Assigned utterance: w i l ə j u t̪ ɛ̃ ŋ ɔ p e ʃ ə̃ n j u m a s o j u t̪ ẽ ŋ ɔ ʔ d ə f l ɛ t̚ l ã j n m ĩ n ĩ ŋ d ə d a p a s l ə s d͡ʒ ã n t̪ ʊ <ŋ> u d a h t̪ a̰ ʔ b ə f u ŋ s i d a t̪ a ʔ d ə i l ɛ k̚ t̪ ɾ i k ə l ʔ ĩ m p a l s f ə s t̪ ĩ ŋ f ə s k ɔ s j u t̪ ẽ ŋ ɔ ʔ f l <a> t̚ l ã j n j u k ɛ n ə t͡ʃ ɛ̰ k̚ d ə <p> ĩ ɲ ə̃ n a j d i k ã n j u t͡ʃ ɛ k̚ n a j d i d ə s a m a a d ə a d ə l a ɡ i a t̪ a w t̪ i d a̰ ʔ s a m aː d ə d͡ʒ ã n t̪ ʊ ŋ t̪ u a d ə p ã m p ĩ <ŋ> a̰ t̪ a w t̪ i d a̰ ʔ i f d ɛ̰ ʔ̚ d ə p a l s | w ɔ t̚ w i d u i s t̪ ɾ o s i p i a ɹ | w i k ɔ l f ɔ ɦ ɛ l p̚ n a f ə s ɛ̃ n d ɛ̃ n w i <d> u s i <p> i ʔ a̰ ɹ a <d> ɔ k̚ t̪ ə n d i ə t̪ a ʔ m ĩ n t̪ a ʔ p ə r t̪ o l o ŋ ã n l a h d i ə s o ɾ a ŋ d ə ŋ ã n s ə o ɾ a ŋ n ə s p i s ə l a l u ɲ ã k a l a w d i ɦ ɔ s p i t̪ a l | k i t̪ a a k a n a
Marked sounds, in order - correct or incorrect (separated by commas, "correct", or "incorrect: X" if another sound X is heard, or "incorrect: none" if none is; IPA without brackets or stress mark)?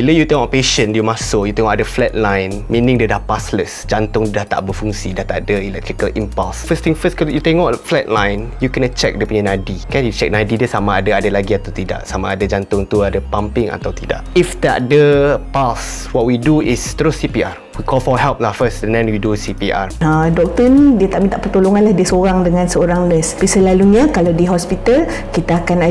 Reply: correct, incorrect: ɛ, correct, correct, correct, correct, correct